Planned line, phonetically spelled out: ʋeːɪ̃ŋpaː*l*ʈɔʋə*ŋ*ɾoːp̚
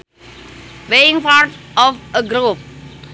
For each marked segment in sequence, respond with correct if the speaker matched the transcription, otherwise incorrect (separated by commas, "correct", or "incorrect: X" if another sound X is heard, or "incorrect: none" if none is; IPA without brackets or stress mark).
incorrect: ɾ, incorrect: ɡ